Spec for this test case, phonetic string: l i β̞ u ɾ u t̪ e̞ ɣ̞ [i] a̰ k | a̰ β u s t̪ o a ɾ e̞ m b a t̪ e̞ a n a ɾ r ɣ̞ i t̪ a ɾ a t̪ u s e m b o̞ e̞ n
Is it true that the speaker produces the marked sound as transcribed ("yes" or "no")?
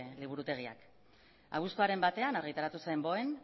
yes